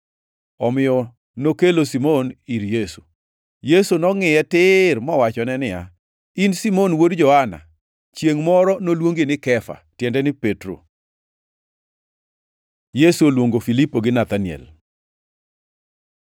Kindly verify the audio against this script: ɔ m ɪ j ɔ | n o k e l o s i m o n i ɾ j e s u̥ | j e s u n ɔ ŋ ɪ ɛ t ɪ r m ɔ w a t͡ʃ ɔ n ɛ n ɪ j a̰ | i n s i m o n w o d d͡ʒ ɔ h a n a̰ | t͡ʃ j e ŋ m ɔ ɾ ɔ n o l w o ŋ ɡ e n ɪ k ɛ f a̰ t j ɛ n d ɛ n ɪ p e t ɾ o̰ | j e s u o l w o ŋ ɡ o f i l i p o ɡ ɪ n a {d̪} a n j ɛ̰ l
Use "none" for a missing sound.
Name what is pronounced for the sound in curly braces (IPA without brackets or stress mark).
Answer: t̪